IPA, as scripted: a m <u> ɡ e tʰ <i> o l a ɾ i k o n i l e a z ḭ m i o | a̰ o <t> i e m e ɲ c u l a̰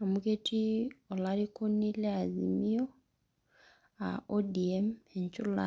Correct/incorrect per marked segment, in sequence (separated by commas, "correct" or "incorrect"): correct, correct, incorrect